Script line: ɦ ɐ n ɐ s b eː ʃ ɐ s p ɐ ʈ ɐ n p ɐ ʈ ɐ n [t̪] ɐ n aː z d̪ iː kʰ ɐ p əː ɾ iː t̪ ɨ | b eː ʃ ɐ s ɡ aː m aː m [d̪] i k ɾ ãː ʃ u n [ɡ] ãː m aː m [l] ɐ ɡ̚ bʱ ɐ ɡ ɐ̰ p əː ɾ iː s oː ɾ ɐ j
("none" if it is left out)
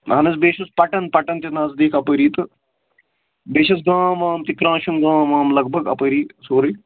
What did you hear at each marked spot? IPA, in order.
t̪, t̪, ɡ, l

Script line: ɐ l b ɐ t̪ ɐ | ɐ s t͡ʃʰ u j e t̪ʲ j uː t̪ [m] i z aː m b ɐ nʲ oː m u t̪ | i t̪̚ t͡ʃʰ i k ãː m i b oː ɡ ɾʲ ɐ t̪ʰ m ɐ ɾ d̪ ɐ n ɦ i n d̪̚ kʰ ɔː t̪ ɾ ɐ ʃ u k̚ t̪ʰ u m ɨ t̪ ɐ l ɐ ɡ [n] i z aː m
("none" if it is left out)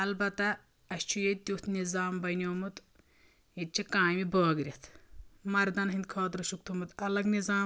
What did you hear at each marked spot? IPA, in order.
n, n

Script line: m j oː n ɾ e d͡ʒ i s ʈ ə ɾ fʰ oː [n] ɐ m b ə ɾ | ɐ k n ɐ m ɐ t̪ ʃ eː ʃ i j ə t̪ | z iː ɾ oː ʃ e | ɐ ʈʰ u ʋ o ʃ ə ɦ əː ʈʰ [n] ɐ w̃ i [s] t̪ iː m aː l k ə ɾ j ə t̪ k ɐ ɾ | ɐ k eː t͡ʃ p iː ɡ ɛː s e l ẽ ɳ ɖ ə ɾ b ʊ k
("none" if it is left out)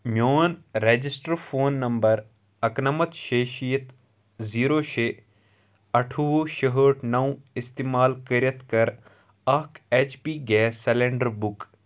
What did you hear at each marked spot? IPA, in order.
nː, n, s

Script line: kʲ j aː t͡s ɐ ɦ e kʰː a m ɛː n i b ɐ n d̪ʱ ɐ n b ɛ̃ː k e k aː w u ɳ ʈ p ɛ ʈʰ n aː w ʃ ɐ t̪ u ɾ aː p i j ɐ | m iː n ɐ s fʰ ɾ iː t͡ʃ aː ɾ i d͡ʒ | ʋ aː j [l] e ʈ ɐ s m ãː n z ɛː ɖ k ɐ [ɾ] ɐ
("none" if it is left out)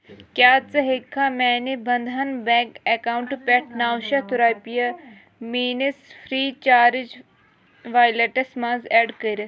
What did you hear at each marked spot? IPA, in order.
l, ɾ

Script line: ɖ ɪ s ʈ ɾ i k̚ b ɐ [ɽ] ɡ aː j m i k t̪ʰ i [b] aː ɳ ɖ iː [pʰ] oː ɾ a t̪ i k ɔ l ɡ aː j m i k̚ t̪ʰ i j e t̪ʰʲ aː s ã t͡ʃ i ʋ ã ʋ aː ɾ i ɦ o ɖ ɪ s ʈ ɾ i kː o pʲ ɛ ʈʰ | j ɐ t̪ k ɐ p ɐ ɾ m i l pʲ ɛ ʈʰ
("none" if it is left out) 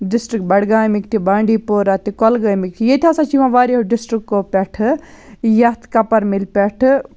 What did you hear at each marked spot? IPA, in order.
ɽ, b, p

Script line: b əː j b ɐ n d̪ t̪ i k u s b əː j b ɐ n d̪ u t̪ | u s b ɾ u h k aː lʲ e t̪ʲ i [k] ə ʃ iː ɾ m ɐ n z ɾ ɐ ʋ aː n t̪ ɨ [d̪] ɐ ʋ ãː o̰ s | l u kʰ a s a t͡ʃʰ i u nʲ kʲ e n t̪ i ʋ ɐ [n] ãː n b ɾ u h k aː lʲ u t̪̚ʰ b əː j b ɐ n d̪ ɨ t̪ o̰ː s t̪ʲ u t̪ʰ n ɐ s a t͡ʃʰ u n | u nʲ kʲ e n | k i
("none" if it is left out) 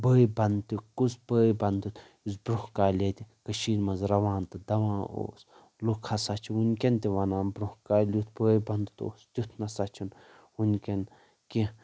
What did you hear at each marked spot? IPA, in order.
k, d̪, n

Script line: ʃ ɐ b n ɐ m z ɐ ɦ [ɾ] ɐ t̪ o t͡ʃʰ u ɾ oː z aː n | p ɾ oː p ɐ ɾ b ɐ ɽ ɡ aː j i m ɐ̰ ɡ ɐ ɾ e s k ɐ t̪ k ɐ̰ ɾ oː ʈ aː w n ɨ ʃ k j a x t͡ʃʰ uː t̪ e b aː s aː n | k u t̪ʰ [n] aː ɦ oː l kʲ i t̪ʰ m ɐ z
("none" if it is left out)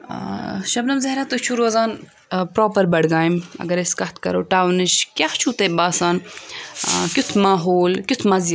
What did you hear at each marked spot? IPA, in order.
ɾ, m

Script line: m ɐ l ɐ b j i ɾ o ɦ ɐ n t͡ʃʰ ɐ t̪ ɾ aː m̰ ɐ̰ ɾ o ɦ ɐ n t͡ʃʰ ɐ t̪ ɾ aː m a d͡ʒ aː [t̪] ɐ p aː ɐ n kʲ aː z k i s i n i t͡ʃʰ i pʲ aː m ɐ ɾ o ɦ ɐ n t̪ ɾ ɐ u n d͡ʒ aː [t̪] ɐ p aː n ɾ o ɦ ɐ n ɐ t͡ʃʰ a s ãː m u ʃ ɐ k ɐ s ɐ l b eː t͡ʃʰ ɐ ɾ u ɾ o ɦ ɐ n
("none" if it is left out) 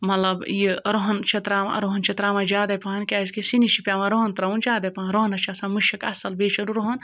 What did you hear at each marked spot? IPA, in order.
d̪, d̪

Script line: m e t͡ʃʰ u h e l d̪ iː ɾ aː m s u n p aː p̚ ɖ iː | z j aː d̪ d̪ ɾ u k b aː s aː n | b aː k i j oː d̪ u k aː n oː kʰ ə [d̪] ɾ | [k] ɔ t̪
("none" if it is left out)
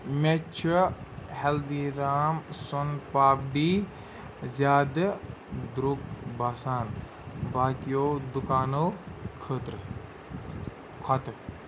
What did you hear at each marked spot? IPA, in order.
t̪, kʰ

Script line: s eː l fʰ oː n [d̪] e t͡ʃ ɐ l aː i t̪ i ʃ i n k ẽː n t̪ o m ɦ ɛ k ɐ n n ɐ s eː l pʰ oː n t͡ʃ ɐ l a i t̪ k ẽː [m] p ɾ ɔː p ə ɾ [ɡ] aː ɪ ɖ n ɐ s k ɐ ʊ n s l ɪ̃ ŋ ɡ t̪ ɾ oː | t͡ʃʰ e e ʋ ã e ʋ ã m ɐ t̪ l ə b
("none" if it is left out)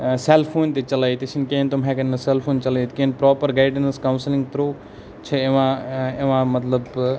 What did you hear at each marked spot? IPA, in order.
t̪, n, ɡ

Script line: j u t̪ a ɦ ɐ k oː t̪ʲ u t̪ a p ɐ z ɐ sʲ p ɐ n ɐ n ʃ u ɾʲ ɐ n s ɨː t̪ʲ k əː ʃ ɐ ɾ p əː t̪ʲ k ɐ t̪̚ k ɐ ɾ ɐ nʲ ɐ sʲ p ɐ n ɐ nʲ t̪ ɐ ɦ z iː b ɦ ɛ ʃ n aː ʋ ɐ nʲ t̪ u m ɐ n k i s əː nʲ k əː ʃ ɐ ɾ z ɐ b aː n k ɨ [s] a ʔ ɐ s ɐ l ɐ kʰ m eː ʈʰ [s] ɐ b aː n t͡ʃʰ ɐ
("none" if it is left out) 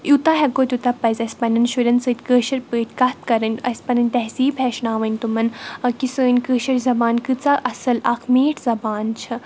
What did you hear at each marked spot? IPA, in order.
t͡s, z

